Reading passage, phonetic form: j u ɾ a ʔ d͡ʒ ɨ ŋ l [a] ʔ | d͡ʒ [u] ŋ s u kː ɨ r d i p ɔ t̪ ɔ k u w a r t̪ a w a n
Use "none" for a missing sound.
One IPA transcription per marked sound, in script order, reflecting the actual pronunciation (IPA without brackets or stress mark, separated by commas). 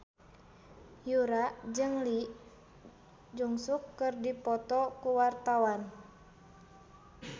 i, u